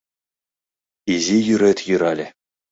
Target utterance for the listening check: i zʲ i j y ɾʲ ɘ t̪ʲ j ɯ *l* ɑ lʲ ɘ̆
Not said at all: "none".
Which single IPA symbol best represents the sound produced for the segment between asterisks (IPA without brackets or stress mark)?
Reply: ɾ